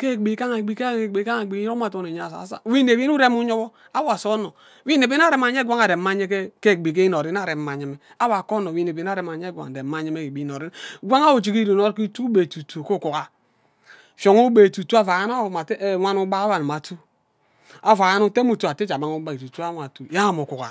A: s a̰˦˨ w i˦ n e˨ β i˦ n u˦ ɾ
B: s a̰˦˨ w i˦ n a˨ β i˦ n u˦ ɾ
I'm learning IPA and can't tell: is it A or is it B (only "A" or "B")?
A